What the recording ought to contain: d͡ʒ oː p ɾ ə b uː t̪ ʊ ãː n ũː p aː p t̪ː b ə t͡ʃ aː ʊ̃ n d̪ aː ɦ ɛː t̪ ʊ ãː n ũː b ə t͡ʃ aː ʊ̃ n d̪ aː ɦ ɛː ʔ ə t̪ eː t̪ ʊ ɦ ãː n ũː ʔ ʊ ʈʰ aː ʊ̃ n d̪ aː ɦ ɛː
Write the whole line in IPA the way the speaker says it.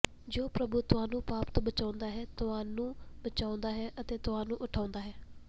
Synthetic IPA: d͡ʒ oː p ɾ ə b uː t̪ ʊ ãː n ũː p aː p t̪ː b ə t͡ʃ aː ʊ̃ n d̪ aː ɦ ɛː t̪ ʊ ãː n ũː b ə t͡ʃ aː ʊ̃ n d̪ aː ɦ ɛː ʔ ə t̪ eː t̪ ʊ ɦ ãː n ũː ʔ ʊ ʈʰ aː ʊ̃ n d̪ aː ɦ ɛː